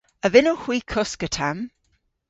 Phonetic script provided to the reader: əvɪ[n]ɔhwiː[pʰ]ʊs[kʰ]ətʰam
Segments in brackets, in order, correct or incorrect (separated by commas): correct, incorrect, incorrect